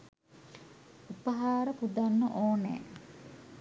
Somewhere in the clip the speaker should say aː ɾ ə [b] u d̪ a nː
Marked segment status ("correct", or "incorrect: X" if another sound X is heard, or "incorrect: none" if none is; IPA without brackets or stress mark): incorrect: p